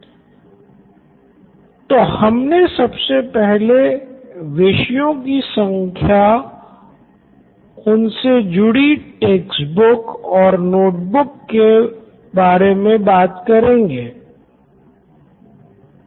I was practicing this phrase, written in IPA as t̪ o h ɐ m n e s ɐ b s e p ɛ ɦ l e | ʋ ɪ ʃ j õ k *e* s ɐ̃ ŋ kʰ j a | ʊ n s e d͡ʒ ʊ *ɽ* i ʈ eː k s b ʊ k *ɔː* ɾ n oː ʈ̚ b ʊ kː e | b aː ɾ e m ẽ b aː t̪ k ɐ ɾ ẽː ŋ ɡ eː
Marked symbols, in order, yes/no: no, yes, yes

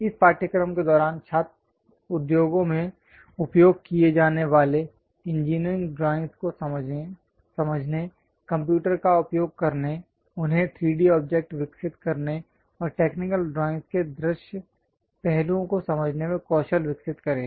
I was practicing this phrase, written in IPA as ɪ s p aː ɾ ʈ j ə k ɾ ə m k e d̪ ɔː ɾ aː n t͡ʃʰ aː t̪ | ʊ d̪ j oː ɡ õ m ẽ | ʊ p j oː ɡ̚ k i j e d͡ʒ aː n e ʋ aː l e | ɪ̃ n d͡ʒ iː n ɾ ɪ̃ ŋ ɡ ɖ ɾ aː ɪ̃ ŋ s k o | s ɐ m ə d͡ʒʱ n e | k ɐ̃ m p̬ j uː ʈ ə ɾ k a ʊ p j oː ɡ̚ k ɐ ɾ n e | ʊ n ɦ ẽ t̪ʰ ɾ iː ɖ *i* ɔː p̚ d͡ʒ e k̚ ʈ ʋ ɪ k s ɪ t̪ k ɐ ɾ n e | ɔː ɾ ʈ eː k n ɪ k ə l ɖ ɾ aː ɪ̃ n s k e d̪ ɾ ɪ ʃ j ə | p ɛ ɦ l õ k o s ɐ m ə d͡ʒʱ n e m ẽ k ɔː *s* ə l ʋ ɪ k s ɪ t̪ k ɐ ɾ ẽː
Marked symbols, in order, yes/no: yes, no

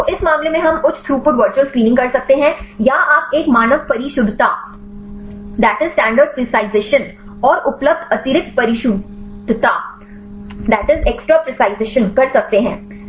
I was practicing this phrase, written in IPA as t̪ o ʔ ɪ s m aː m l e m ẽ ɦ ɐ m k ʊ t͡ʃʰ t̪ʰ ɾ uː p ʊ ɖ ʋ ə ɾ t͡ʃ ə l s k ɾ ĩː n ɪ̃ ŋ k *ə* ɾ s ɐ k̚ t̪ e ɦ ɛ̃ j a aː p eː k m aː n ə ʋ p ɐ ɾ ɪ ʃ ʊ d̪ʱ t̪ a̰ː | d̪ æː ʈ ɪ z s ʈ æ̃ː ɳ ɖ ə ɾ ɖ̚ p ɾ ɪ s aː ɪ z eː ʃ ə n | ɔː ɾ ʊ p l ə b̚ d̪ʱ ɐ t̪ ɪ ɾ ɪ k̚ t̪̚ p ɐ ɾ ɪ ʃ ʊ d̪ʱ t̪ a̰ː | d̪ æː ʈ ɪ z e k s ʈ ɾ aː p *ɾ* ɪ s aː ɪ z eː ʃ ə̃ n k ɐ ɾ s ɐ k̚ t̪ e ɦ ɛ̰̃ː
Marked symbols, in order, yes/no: no, yes

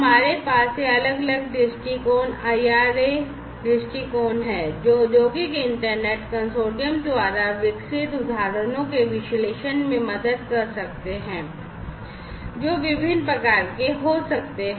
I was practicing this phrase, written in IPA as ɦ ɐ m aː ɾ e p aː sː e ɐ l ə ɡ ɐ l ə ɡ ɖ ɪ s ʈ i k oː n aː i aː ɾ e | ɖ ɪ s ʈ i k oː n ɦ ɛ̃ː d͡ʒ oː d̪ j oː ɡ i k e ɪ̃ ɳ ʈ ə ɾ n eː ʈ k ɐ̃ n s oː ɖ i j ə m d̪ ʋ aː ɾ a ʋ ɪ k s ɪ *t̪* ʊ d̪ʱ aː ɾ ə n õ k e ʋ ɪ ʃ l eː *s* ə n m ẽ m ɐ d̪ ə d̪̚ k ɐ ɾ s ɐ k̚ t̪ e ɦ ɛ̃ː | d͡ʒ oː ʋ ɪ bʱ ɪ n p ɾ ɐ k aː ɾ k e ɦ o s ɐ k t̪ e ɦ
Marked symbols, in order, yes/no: yes, no

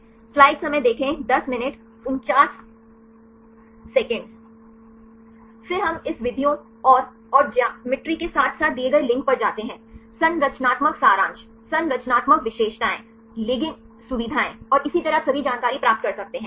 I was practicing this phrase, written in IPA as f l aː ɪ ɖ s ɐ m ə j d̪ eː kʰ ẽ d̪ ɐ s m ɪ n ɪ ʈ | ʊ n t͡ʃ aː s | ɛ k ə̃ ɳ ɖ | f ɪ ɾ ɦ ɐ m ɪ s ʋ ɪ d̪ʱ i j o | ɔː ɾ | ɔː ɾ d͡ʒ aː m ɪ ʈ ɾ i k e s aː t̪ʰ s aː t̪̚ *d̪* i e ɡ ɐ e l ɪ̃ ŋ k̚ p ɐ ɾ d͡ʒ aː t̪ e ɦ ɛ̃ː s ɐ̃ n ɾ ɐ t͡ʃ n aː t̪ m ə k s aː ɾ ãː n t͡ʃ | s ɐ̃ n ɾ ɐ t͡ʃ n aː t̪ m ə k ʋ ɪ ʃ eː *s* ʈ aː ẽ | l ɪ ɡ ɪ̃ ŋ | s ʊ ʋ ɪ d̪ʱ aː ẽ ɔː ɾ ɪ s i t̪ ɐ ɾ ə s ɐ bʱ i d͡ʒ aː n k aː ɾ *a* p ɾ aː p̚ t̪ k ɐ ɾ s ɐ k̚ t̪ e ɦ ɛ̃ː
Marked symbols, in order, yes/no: yes, no, no

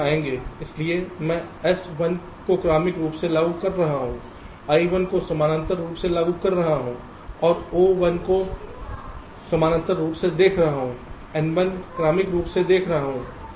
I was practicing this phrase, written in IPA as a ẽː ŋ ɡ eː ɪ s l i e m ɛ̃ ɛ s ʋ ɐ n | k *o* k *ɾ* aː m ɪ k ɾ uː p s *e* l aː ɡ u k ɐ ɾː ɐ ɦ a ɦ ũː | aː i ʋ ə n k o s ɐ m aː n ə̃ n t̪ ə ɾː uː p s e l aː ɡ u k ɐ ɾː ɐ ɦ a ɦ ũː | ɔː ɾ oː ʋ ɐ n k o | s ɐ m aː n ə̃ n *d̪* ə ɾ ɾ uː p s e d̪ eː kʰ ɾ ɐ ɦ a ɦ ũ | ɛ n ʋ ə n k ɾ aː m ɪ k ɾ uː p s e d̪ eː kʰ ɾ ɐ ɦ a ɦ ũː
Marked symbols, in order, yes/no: yes, yes, yes, no

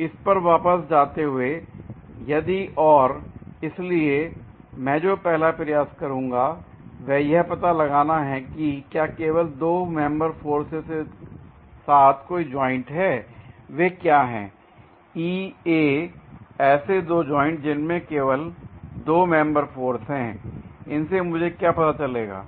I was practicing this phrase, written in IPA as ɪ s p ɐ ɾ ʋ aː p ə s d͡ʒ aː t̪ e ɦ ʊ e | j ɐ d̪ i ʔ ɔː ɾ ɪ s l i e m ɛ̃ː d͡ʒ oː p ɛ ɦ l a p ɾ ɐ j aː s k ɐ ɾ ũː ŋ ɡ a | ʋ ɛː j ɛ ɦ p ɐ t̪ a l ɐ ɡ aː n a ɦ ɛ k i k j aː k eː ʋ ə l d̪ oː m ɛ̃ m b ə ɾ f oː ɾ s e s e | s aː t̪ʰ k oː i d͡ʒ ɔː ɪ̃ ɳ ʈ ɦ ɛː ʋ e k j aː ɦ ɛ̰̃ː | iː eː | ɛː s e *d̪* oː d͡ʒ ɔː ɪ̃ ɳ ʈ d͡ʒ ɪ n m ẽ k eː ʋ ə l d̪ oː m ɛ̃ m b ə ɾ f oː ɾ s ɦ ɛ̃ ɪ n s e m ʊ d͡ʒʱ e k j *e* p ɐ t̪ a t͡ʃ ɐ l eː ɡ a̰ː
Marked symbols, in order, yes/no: yes, no

